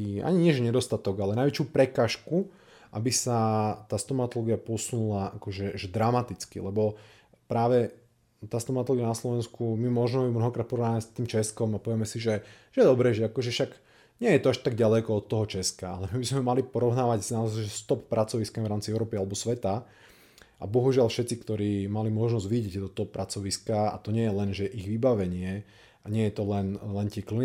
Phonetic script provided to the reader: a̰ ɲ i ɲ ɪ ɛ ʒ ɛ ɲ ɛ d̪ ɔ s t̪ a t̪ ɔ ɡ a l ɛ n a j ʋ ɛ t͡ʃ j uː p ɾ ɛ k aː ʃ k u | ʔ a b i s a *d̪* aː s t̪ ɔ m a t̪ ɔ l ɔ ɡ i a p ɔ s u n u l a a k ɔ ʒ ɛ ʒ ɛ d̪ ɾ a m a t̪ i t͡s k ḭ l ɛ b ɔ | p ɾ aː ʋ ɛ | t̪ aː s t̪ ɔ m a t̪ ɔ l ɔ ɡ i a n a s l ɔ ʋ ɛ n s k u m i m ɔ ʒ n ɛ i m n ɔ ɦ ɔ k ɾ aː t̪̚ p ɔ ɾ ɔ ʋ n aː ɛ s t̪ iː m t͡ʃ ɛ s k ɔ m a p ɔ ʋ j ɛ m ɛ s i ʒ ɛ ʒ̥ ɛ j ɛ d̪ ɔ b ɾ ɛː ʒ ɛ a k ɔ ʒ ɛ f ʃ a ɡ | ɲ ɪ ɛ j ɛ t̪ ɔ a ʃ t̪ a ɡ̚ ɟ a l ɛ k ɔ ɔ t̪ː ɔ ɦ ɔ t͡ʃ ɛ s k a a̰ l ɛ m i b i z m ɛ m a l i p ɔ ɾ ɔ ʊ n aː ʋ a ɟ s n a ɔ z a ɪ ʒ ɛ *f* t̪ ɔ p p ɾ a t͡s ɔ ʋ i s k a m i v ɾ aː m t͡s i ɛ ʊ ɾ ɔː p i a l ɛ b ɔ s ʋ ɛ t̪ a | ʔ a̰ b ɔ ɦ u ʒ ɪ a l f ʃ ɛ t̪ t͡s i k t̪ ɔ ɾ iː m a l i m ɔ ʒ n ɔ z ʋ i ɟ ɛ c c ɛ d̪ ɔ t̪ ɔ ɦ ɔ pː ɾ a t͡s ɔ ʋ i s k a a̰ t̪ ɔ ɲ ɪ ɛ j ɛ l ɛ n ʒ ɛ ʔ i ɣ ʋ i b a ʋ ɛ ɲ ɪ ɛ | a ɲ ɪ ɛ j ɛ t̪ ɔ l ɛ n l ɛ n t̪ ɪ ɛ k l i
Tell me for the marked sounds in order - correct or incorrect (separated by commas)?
incorrect, incorrect